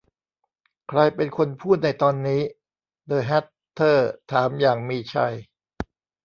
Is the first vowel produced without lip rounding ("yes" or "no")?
yes